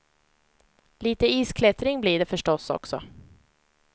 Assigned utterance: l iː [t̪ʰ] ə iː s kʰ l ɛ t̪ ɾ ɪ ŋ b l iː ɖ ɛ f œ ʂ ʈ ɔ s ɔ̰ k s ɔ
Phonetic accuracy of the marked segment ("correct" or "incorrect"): incorrect